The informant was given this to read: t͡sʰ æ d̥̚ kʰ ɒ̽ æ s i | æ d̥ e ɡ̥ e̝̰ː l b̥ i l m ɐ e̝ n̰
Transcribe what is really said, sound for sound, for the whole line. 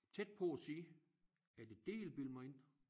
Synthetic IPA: t͡sʰ e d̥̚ pʰ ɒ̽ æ s iː | æ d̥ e d̥ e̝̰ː l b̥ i l m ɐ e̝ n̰